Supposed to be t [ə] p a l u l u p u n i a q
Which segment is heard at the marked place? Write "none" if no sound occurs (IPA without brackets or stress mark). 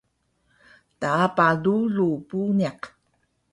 a